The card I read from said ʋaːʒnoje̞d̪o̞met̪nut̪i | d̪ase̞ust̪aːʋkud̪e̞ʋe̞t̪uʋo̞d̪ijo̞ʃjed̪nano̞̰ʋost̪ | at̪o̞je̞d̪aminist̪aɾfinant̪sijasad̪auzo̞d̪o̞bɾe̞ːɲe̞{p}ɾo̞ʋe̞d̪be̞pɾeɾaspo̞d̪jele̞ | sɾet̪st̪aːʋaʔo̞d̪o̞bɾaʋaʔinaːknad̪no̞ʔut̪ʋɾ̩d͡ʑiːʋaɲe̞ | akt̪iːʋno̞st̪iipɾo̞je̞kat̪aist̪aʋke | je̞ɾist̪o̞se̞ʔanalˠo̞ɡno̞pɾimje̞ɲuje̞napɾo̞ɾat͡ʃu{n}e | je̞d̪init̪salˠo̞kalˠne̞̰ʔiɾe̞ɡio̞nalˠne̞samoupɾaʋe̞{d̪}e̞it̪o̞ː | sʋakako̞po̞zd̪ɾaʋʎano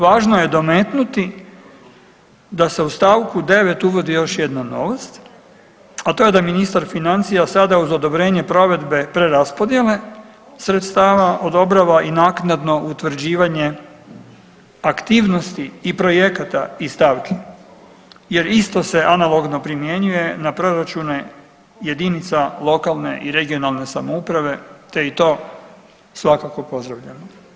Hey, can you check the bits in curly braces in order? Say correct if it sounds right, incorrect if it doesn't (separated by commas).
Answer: correct, correct, incorrect